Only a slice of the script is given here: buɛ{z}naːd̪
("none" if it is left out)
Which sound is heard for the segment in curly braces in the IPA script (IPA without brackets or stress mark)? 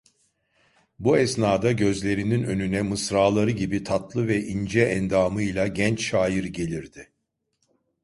s